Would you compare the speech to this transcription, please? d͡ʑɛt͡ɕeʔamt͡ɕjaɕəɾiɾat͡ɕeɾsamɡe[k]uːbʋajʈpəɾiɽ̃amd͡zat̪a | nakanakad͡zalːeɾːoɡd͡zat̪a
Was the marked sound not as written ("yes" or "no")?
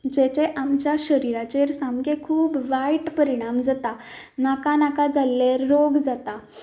yes